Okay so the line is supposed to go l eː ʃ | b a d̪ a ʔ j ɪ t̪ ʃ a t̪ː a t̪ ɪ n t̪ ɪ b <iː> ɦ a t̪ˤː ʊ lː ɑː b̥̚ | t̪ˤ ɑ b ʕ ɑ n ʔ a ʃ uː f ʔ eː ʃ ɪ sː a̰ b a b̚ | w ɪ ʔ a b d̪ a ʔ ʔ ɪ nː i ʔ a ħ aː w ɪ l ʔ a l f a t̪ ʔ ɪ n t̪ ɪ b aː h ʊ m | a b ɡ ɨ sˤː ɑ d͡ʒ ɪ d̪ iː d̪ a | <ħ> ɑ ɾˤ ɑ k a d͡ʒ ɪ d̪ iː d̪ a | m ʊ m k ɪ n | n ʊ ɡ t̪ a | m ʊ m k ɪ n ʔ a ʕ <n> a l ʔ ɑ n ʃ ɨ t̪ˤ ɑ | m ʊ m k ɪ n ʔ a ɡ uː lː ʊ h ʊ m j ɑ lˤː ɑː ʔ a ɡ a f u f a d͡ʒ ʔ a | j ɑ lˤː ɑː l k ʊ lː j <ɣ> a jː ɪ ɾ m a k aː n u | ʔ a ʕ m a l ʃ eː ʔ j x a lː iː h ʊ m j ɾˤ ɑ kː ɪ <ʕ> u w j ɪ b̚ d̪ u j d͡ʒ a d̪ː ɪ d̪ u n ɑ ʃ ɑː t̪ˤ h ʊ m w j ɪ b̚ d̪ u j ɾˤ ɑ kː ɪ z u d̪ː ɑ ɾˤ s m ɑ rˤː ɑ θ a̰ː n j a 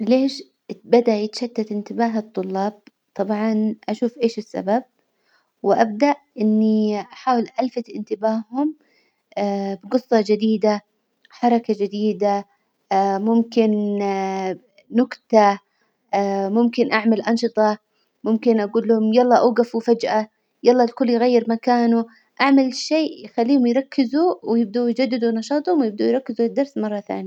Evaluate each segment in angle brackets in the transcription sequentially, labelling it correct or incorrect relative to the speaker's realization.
incorrect: aː, correct, incorrect: m, correct, incorrect: z

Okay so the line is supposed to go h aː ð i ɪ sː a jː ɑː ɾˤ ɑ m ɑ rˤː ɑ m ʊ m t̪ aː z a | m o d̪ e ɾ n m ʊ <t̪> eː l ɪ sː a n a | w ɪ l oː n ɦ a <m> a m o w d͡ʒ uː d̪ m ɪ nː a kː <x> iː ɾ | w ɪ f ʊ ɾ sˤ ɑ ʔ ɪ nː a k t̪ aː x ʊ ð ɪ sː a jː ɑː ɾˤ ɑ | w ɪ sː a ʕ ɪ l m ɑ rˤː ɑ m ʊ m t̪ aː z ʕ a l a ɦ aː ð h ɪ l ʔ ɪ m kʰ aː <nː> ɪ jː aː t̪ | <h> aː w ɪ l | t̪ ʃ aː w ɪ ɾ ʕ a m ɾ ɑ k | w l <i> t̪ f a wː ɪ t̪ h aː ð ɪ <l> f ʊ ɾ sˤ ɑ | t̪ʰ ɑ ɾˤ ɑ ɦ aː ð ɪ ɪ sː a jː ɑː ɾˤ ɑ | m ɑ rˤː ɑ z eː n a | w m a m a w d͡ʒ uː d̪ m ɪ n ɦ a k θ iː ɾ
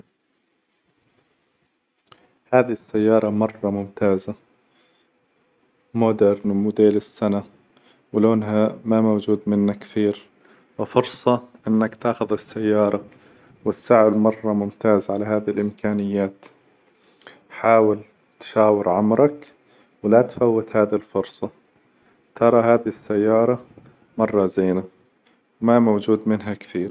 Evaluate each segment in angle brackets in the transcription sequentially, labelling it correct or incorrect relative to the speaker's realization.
incorrect: d̪, correct, incorrect: θ, incorrect: n, incorrect: ħ, incorrect: a, correct

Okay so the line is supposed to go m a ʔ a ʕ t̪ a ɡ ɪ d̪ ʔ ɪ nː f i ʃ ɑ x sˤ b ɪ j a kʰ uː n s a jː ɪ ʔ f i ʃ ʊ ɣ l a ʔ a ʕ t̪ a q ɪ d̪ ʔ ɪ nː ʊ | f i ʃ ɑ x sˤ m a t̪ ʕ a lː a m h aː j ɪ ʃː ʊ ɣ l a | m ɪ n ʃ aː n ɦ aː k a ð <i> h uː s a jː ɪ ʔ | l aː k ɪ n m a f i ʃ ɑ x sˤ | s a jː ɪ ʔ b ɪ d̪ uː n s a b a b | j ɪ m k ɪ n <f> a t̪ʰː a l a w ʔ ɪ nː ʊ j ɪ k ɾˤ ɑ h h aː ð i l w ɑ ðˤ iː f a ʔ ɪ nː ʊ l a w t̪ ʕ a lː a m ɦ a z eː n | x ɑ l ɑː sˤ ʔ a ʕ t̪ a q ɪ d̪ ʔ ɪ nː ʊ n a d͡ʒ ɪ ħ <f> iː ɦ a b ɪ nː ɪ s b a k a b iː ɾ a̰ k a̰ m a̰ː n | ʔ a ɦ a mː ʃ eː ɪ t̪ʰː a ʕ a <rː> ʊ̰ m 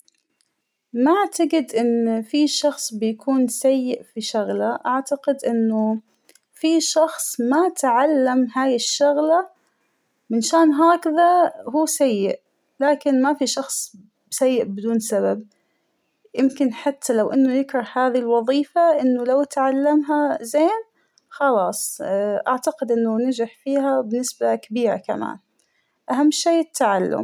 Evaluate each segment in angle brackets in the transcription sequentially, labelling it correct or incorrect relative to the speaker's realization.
incorrect: a, incorrect: ħ, correct, incorrect: lː

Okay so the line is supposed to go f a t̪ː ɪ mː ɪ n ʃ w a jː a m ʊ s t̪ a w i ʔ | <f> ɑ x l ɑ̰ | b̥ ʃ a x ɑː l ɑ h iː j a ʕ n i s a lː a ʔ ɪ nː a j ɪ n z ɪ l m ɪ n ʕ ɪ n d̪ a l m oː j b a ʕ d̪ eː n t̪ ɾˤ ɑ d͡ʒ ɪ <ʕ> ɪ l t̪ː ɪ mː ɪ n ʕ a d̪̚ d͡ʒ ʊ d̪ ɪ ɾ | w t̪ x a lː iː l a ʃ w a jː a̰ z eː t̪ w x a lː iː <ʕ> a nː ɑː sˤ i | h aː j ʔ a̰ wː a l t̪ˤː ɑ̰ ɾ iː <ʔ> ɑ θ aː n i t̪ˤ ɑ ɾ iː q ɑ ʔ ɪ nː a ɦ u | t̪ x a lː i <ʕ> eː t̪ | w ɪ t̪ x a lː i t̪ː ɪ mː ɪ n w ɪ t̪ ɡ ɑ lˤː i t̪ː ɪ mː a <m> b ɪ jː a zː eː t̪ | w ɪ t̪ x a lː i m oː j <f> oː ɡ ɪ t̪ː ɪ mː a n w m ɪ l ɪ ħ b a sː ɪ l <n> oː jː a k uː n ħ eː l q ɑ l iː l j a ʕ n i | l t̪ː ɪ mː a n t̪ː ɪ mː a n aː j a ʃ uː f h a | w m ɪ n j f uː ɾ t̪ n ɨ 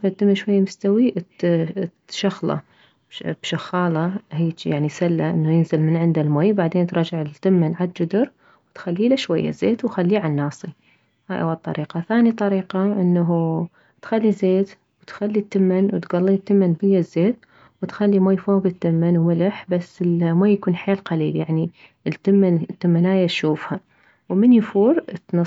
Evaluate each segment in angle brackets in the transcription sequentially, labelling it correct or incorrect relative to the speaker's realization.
incorrect: ʃ, correct, correct, incorrect: q, incorrect: z, incorrect: n, correct, incorrect: m

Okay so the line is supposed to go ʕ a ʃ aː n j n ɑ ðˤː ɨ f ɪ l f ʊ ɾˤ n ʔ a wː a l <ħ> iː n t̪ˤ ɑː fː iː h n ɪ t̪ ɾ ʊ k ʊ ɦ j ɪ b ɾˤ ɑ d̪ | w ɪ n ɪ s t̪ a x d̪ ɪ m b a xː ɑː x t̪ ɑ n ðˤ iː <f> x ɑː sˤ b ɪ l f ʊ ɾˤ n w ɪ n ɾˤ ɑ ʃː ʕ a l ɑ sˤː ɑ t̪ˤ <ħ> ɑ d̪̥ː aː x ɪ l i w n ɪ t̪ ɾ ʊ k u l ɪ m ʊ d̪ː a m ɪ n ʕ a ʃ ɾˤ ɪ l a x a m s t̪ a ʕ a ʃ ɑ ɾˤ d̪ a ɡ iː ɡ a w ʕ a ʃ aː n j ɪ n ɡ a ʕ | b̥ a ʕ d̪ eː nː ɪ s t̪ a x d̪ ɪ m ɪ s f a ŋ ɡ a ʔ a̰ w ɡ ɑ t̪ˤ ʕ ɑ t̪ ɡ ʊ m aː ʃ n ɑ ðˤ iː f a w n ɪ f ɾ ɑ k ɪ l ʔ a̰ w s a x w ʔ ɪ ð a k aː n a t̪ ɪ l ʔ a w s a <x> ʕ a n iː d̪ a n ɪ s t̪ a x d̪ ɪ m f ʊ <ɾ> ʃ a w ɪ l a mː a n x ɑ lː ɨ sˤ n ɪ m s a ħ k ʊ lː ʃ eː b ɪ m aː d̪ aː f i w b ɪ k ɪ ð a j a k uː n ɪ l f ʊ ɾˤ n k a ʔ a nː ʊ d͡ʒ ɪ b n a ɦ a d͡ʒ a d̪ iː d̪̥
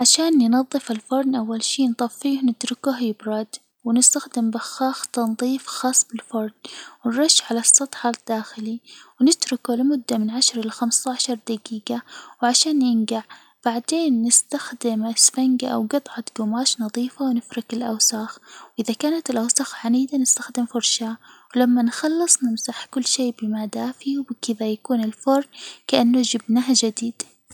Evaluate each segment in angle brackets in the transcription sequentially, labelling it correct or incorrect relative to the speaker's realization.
incorrect: ʃ, correct, correct, correct, correct

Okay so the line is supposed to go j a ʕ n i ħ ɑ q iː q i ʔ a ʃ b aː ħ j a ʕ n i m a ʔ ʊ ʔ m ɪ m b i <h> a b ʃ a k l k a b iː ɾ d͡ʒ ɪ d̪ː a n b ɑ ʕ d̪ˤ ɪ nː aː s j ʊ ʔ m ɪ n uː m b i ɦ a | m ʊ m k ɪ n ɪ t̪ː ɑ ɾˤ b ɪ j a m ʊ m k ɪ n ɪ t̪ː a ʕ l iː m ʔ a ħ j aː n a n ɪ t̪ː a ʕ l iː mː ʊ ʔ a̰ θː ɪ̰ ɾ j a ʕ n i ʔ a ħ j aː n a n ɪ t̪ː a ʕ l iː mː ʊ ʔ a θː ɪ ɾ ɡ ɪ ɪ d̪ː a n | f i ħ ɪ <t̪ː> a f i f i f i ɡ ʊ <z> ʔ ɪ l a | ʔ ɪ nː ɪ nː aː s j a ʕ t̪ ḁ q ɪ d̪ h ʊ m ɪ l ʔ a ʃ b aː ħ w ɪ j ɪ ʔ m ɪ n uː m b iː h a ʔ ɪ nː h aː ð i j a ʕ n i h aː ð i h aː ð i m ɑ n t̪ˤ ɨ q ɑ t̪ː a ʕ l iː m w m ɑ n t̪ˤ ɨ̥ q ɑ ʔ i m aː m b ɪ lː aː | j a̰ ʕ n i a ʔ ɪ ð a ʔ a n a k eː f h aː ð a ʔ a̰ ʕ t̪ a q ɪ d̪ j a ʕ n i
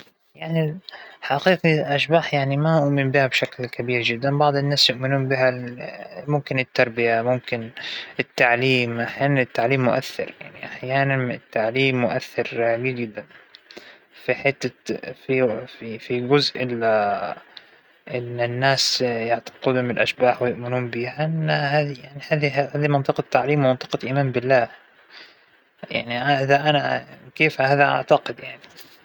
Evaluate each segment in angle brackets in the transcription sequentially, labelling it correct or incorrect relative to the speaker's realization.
correct, correct, correct

